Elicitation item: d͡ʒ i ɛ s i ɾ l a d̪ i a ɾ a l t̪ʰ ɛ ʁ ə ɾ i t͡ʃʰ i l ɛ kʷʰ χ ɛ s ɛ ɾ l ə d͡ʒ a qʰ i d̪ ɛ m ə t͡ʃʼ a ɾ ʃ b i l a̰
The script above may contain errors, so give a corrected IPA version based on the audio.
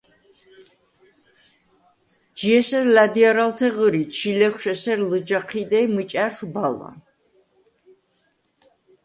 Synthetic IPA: d͡ʒ i ɛ s ɛ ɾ l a d̪ i a ɾ a l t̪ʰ ɛ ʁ ə ɾ i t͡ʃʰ i l ɛ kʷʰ ʃ ɛ s ɛ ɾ l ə d͡ʒ a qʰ i d̪ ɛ m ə t͡ʃʼ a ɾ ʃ b a l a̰